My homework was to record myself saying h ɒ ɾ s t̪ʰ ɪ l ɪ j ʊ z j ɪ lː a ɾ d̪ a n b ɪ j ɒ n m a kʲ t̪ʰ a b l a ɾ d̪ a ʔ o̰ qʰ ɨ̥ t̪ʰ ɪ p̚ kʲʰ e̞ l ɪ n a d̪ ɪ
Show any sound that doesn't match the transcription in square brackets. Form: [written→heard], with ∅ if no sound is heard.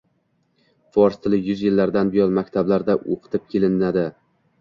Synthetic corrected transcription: [h→f] ɒ ɾ s t̪ʰ ɪ l ɪ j ʊ z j ɪ lː a ɾ d̪ a n b ɪ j ɒ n m a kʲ t̪ʰ a b l a ɾ d̪ a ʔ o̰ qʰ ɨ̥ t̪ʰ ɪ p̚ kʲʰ e̞ l ɪ n a d̪ ɪ